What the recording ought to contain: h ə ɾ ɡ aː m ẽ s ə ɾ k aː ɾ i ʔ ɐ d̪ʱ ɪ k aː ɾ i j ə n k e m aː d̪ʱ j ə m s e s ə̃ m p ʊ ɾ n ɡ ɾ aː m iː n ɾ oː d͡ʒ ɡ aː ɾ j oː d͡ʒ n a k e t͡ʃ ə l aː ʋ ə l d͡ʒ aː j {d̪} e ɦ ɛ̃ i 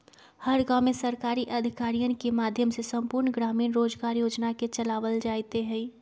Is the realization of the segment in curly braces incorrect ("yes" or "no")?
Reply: yes